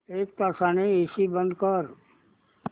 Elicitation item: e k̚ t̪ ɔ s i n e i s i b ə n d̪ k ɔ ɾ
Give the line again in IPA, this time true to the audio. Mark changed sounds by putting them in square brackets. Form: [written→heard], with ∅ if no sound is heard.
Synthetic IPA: e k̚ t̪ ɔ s [i→a] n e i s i b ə n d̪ k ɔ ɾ